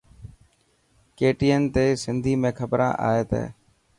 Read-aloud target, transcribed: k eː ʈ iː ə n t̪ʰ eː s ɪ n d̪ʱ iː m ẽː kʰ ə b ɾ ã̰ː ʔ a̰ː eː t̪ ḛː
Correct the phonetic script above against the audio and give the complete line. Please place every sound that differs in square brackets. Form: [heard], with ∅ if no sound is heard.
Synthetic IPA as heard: k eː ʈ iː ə n [t̪] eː s ɪ n d̪ʱ iː m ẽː kʰ ə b ɾ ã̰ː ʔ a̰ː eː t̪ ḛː